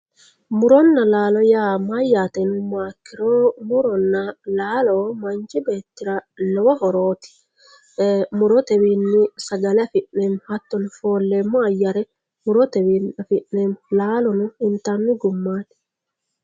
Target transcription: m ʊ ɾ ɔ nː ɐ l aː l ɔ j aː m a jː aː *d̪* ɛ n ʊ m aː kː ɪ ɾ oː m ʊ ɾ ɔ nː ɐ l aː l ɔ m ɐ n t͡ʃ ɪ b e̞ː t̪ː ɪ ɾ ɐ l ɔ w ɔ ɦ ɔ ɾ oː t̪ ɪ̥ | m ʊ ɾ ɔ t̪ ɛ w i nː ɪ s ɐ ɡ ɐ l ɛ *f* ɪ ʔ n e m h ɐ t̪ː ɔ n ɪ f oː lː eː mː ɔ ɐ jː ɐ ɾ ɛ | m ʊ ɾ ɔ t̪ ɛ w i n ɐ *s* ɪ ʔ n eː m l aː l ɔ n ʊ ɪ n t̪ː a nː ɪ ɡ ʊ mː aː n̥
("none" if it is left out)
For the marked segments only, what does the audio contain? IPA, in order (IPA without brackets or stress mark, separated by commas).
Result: t̪, f, f